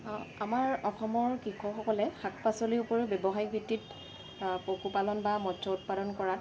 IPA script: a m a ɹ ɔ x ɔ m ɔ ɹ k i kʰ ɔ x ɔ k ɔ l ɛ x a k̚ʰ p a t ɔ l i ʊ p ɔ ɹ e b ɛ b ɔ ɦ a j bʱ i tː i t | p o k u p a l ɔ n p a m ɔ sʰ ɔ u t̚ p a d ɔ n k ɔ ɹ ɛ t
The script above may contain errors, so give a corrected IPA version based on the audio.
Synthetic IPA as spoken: a m a ɹ ɔ x ɔ m ɔ ɹ k i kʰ ɔ x ɔ k ɔ l ɛ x a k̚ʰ p a s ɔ l i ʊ p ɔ ɹ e b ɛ b ɔ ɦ a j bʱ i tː i t | p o k u p a l ɔ n b a m ɔ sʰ ɔ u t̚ p a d ɔ n k ɔ ɹ a t